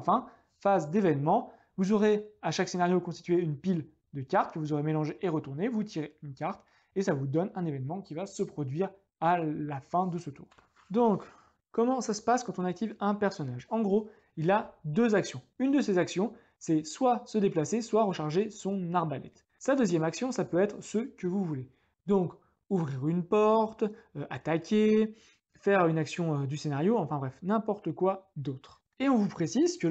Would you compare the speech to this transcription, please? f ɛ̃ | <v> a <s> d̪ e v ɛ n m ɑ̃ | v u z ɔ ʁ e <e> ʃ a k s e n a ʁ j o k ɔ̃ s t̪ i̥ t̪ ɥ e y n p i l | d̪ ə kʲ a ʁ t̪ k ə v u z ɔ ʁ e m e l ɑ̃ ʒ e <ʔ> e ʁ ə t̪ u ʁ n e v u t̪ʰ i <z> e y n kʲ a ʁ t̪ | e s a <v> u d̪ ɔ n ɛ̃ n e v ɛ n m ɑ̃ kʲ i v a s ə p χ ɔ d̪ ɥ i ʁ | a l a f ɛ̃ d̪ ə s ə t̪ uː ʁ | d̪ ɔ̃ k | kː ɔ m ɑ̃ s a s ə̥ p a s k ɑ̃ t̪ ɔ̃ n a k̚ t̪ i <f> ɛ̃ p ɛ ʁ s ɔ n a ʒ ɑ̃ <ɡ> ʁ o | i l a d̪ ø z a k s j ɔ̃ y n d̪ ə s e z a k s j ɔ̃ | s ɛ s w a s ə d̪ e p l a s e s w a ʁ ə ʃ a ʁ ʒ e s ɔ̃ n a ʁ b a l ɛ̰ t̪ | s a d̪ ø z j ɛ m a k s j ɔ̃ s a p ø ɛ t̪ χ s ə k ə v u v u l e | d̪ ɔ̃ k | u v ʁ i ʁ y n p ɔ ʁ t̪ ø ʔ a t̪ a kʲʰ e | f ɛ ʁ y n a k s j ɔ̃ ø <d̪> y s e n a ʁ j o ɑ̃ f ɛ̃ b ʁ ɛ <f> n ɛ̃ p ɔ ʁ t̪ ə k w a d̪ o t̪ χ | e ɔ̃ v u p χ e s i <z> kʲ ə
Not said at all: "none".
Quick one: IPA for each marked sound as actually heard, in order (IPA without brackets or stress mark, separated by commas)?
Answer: f, z, a, ʔ, ʁ, v, v, ɡ, d̪, f, z